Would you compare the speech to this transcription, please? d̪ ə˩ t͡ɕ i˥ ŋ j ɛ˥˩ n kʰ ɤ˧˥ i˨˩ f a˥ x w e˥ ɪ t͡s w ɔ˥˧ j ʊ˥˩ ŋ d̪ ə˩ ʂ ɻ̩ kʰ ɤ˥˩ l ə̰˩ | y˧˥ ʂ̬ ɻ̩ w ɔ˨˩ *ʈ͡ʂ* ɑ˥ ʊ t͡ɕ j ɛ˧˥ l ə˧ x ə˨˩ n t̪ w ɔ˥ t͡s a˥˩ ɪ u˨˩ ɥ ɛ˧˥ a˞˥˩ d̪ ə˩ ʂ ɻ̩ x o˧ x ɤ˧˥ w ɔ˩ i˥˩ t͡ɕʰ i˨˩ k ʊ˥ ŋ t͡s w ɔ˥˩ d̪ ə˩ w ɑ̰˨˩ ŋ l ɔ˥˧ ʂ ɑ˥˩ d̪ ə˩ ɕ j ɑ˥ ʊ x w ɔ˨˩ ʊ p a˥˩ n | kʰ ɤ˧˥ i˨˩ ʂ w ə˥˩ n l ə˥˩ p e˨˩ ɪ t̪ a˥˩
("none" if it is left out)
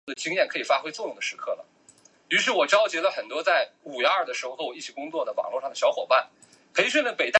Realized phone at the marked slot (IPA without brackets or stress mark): ʈ͡ʂ